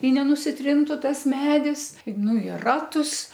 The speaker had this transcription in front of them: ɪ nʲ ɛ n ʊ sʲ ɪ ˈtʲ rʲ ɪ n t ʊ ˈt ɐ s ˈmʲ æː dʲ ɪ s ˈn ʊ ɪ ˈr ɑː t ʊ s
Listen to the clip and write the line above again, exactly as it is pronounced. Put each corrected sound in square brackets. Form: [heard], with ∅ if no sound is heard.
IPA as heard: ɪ nʲ ɛ n ʊ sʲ ɪ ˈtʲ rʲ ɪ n t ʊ ˈt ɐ s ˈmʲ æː dʲ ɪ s ˈn ʊ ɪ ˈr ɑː t ʊ s